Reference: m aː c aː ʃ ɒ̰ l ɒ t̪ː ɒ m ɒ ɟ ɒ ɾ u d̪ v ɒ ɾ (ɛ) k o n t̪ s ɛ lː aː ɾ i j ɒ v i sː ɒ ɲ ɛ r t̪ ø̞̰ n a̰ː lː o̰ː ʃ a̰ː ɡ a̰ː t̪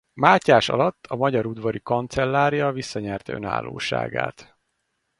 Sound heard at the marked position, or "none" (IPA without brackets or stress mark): i